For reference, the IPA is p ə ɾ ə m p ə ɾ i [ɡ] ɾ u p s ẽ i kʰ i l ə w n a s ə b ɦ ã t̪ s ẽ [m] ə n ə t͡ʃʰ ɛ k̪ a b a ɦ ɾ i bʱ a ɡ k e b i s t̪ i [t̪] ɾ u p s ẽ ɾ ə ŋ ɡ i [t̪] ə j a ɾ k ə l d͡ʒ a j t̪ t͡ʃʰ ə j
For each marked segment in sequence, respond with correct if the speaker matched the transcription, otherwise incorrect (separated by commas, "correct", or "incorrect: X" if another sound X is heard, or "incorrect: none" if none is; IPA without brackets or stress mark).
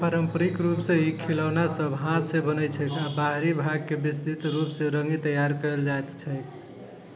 incorrect: k, incorrect: b, correct, correct